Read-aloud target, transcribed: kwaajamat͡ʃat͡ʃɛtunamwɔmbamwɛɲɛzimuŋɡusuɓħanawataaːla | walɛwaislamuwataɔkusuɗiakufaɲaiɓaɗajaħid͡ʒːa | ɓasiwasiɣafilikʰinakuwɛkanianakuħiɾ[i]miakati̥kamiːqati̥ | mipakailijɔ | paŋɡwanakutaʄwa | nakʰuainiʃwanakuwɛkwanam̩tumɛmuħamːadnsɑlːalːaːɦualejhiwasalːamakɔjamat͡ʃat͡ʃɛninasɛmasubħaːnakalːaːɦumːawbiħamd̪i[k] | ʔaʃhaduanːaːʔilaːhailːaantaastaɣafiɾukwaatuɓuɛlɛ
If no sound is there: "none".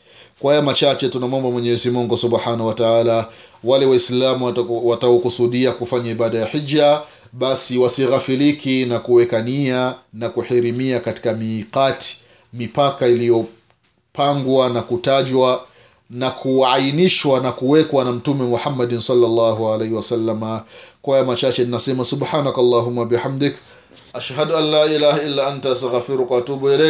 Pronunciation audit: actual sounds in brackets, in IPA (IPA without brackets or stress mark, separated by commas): i, k